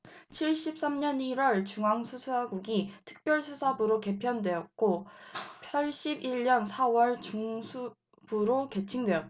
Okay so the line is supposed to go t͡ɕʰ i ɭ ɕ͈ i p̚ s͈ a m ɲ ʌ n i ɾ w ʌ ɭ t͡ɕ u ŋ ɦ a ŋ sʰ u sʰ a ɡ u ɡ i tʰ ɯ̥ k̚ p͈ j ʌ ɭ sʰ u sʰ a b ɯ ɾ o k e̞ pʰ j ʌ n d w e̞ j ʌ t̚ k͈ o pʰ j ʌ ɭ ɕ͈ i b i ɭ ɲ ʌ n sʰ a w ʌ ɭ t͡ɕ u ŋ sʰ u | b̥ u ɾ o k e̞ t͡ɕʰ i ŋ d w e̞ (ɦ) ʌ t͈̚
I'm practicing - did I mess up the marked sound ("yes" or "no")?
yes